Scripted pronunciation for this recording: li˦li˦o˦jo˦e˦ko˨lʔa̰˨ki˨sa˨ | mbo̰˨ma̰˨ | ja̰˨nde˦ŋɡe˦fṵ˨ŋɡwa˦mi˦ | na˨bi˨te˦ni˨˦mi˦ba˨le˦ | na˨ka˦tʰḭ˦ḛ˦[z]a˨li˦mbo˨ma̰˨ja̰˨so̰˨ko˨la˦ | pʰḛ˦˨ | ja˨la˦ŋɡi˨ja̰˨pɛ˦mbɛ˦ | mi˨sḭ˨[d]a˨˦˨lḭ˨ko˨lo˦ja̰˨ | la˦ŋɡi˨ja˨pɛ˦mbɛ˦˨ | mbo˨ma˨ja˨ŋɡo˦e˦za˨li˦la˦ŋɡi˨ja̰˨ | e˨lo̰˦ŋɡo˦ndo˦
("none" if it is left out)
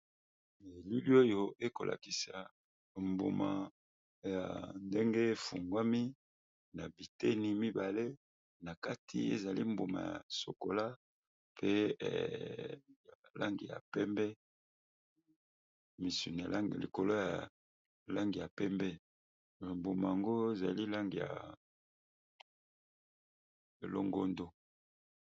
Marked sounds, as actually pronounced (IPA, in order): z, n

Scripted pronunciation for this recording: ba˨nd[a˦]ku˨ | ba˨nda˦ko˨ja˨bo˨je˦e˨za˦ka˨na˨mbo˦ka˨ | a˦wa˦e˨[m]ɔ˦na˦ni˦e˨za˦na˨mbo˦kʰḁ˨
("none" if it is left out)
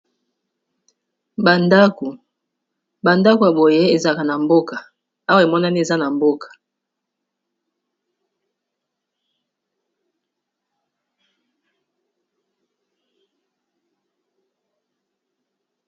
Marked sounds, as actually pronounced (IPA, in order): a˦, m

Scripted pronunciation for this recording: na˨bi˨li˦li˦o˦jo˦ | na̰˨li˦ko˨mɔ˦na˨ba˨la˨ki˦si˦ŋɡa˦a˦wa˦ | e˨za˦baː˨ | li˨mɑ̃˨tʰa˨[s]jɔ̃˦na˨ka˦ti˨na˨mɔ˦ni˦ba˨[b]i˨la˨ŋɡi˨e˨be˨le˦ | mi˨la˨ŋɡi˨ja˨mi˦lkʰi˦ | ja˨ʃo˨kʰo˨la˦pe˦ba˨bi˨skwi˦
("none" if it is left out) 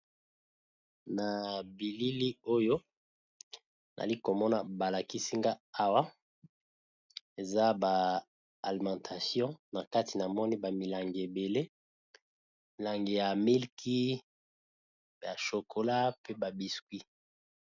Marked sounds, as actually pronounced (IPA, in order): s, m

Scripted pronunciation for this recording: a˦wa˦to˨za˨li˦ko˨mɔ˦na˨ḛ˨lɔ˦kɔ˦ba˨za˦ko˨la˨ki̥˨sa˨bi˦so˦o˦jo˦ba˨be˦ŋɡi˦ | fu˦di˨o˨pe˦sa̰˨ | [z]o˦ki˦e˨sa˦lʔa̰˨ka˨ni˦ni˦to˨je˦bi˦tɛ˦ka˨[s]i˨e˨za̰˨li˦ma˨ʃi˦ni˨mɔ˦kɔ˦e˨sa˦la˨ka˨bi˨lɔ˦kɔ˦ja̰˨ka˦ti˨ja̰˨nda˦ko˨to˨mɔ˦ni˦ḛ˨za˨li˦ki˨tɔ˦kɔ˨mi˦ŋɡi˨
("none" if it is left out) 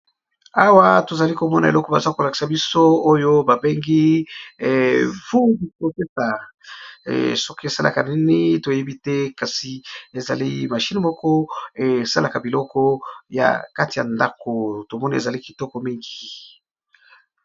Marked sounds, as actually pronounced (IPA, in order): s, s

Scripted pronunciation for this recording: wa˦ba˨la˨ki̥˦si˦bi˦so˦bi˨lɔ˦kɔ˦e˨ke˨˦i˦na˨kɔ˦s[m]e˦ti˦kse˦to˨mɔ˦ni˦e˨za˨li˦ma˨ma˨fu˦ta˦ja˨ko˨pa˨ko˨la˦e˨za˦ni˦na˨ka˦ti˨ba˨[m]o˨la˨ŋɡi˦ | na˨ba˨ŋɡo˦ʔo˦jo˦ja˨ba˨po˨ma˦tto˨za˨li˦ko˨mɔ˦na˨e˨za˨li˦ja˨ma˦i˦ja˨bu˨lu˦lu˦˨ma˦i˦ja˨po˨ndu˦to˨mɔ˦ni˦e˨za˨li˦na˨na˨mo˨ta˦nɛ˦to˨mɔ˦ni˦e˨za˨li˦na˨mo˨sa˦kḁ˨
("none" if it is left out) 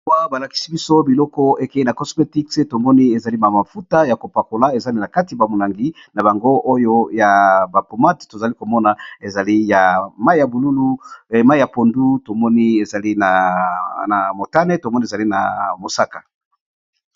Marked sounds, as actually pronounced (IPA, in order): m, m

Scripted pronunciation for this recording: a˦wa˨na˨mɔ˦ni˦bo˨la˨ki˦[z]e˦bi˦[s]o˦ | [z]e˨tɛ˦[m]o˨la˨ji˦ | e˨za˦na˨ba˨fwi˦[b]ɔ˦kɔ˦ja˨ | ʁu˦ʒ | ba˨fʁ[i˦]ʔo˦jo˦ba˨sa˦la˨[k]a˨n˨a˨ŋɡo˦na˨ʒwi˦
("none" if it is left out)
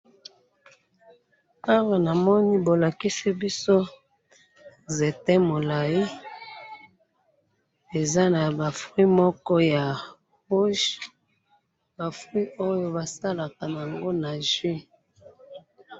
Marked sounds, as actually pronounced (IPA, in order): s, s, z, m, m, i˦, k

